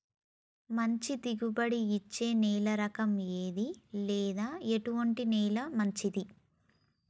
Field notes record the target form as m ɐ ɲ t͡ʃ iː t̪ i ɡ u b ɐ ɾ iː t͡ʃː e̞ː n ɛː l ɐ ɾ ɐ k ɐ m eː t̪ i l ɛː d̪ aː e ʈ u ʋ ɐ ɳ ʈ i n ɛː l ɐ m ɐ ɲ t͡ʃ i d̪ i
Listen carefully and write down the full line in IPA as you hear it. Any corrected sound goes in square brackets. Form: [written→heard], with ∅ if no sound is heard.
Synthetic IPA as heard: m ɐ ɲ t͡ʃ [iː→i] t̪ i ɡ u b ɐ [ɾ→ɽ] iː t͡ʃː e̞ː n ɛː l ɐ ɾ ɐ k ɐ m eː [t̪→d̪] i l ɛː d̪ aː e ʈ u ʋ ɐ ɳ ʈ i n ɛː l ɐ m ɐ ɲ t͡ʃ i d̪ i